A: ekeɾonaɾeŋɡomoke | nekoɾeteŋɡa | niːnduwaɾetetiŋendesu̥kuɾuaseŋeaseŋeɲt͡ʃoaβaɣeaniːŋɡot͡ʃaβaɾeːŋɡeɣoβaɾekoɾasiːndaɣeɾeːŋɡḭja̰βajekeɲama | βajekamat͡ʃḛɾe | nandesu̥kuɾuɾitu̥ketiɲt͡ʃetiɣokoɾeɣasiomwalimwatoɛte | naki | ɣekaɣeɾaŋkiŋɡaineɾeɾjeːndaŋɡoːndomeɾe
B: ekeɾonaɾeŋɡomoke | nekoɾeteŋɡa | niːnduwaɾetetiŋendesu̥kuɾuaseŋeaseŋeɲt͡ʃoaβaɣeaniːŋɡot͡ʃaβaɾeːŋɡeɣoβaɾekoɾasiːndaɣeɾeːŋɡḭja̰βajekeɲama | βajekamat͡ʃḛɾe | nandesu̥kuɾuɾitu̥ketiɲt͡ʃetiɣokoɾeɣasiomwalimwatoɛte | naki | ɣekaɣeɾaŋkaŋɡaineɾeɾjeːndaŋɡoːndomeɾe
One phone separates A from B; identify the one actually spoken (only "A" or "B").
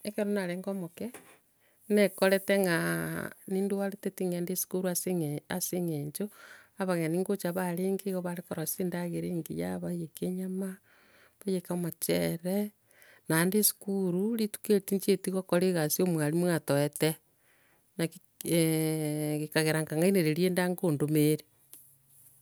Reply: B